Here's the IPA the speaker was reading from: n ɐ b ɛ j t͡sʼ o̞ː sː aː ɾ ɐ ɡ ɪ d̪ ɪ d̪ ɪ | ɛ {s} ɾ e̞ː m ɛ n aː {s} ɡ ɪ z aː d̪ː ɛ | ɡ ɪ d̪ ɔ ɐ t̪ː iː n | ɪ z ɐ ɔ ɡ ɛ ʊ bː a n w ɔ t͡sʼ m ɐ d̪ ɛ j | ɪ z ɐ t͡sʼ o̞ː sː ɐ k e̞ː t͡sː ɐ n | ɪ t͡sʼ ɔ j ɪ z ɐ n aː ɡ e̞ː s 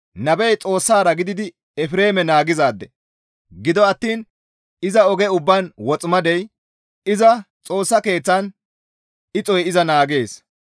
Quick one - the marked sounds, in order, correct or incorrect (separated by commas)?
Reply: incorrect, incorrect